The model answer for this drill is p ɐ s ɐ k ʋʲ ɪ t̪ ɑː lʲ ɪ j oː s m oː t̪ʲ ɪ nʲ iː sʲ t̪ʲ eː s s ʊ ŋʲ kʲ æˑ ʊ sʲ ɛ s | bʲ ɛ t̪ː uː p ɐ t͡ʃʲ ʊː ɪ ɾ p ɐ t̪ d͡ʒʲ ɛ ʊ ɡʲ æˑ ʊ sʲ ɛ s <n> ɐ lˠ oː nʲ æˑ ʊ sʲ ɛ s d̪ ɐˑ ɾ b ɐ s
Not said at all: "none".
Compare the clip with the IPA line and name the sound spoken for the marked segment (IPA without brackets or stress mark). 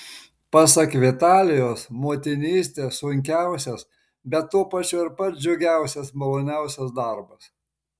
m